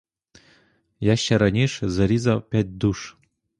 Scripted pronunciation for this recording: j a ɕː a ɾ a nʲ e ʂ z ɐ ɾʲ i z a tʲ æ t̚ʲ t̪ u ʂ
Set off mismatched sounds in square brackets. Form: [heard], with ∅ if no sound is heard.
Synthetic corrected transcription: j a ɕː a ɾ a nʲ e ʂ z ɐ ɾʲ i z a [pʲ] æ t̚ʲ [d̪] u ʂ